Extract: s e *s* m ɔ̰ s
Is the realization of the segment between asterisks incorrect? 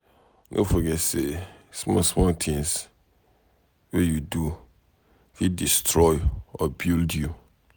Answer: no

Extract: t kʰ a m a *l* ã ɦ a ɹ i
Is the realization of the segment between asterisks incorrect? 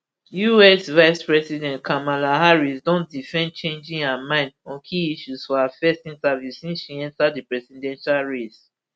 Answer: no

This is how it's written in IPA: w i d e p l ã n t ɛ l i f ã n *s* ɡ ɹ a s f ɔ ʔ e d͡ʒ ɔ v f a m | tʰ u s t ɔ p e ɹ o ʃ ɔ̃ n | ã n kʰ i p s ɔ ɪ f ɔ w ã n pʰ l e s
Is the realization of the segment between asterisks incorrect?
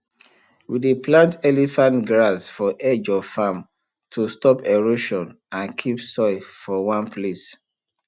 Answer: yes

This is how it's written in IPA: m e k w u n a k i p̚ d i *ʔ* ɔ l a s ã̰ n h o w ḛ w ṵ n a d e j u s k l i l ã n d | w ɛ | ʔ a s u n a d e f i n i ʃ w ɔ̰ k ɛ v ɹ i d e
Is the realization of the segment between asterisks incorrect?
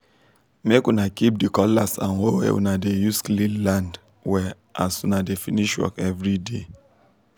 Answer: yes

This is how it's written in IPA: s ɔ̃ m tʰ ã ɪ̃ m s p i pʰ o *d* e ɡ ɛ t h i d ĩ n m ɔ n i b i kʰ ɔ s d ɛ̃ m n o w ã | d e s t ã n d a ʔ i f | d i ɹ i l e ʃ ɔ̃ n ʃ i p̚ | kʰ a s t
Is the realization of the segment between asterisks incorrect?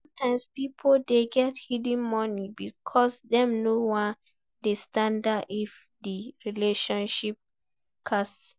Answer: no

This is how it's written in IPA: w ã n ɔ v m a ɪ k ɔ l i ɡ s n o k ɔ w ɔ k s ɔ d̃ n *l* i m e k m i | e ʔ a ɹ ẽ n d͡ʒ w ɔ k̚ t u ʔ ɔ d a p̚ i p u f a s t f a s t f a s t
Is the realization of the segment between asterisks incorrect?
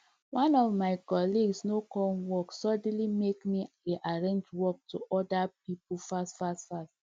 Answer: no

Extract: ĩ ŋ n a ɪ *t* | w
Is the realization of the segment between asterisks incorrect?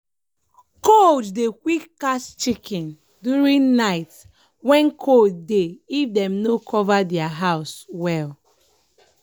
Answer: no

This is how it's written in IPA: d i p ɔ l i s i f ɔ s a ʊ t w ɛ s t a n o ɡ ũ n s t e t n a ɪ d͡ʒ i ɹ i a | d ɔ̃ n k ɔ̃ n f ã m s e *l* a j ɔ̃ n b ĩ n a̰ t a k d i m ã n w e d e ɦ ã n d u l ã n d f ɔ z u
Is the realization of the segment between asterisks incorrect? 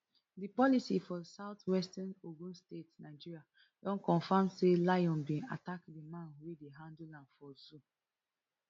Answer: no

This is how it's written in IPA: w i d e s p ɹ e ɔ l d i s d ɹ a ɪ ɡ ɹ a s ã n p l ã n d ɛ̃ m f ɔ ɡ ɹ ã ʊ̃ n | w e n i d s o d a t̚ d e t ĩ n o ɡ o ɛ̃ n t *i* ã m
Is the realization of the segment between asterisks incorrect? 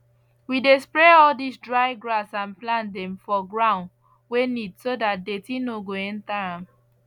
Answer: yes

